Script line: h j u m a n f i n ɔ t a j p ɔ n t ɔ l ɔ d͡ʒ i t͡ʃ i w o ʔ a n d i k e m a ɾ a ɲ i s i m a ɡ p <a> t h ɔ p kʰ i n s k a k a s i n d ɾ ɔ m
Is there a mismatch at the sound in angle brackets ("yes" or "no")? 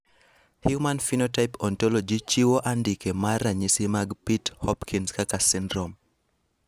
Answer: yes